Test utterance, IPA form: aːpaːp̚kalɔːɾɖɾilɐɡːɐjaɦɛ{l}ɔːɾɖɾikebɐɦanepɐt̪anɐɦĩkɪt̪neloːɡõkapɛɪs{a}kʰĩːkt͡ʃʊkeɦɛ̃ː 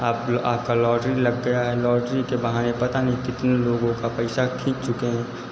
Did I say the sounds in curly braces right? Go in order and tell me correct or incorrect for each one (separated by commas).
correct, correct